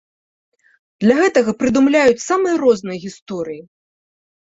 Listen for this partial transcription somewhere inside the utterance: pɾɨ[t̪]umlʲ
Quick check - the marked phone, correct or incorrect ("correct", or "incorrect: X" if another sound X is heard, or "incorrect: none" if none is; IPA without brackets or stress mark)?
incorrect: d̪